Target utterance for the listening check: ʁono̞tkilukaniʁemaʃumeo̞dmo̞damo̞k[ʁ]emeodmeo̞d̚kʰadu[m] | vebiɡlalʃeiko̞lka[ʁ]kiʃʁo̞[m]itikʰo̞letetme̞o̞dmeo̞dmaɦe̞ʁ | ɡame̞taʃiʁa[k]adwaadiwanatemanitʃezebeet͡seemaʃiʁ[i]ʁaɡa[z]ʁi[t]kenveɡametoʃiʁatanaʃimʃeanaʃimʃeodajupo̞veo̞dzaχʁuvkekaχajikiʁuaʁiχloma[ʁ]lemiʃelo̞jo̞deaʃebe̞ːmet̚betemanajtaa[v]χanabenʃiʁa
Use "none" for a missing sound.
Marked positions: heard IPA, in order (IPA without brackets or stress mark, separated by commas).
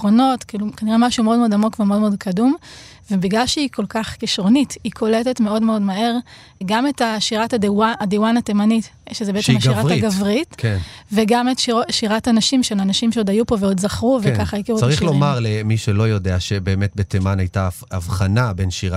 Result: v, m, χ, n, t, a, v, t, ʁ, v